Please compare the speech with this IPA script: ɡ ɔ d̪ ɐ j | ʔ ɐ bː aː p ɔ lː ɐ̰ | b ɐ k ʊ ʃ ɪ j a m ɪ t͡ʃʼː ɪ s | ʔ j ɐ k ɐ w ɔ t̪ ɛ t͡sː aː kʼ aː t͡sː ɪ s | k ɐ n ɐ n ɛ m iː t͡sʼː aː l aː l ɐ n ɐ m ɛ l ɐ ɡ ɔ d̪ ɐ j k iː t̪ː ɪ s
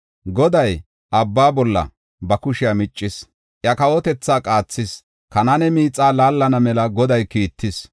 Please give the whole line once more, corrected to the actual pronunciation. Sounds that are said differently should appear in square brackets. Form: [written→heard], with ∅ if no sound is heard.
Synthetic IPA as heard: ɡ ɔ d̪ ɐ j | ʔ ɐ bː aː [p→b] ɔ lː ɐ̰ | b ɐ k ʊ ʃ ɪ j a m ɪ t͡ʃʼː ɪ s | ʔ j ɐ k ɐ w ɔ t̪ ɛ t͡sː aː kʼ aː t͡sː ɪ s | k ɐ n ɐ n ɛ m iː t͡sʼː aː l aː [l→lː] ɐ n ɐ m ɛ l ɐ ɡ ɔ d̪ ɐ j k iː t̪ː ɪ s